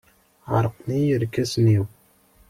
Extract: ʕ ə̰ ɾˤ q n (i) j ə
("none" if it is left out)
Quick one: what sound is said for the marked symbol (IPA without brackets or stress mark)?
i